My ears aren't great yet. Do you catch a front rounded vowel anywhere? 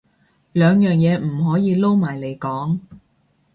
yes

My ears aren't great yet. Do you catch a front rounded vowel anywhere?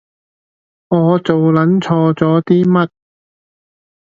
no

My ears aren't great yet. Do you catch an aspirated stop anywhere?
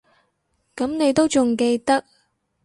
no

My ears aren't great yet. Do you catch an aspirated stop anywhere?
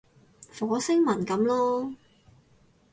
no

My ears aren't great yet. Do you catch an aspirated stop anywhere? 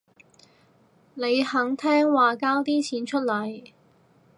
yes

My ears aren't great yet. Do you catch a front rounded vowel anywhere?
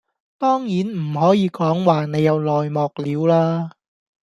no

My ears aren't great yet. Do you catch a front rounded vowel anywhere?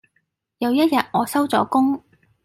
no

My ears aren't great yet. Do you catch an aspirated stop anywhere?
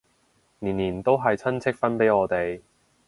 yes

